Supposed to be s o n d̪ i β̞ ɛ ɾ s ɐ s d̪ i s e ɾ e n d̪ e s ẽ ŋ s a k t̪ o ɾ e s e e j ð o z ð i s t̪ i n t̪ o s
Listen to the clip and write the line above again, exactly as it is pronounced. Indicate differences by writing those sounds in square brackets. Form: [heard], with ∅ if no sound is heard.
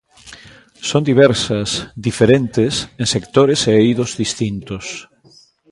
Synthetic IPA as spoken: s o n d̪ i β̞ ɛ ɾ s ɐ s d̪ i [f] e ɾ e n [t̪] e s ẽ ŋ s [e] k t̪ o ɾ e s e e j ð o z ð i s t̪ i n t̪ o s

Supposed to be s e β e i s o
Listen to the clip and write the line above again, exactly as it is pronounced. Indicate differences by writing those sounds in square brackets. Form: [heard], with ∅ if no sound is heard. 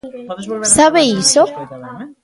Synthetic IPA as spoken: s [a] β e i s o

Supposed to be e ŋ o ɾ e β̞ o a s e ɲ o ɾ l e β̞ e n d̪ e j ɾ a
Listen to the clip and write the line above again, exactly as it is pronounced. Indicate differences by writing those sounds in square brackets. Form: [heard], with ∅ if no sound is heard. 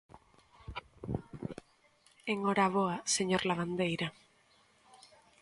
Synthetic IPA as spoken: e ŋ o ɾ [a] β̞ o a s e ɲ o ɾ l [a] β̞ [a] n d̪ e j ɾ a

